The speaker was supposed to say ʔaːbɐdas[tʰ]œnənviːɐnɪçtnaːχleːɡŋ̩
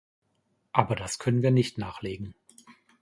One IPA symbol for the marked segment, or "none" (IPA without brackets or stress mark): kʰ